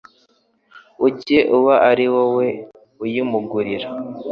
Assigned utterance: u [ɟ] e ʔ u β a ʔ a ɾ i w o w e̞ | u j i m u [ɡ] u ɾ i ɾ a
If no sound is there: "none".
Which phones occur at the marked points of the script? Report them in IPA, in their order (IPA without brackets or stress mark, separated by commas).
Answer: c, ɡ